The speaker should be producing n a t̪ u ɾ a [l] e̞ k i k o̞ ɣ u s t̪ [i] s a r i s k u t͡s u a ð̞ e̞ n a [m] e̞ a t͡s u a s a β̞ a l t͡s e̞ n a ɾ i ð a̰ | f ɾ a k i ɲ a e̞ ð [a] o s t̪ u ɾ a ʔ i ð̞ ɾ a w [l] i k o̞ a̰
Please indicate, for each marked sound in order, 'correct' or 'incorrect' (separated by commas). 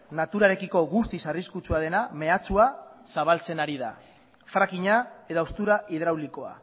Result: incorrect, correct, correct, correct, correct